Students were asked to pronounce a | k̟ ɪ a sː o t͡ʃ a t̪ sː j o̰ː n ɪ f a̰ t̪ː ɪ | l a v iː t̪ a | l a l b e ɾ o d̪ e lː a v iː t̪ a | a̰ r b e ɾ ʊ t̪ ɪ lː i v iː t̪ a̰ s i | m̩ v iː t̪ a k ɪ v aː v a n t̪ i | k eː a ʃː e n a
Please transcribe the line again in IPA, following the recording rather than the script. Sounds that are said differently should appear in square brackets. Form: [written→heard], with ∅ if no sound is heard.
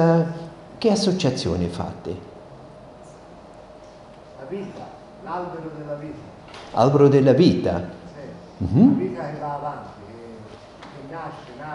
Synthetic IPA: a | k̟ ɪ a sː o t͡ʃ a t̪ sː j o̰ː n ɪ f a̰ t̪ː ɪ | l a v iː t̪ a | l a l b e ɾ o d̪ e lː a v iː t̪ a | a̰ [r→l] b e ɾ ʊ [t̪→d̪] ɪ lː [i→a] v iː t̪ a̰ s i | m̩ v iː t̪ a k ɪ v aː v a n t̪ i | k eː a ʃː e n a